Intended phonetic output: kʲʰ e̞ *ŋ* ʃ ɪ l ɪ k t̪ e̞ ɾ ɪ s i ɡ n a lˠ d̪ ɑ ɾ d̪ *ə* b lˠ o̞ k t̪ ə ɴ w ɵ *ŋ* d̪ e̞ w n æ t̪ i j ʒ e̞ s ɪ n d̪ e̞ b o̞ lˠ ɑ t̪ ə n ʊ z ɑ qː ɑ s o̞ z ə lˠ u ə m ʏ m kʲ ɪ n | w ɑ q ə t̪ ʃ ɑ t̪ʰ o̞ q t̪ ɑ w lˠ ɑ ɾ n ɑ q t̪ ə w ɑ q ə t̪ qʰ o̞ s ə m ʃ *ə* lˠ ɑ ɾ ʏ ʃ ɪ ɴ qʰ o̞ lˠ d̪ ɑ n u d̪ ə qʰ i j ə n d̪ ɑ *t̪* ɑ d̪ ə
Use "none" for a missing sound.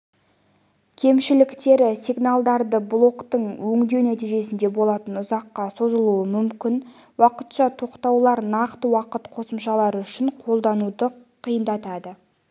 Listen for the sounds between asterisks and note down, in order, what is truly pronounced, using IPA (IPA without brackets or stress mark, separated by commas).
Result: m, ə, ŋ, ɑ, t̪